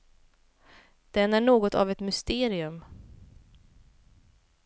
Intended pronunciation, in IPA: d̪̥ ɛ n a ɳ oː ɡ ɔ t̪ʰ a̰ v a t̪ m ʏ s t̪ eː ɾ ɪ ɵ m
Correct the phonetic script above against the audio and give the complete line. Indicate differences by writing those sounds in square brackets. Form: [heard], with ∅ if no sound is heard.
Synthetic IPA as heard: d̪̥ ɛ n [æ] ɳ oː ɡ ɔ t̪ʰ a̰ v [ɛ] t̪ m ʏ s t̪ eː ɾ ɪ ɵ m